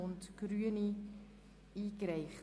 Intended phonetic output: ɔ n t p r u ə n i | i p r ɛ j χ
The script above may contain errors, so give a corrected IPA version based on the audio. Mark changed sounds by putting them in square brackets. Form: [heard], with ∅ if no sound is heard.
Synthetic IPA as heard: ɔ n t [k] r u ə n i | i [k] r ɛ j χ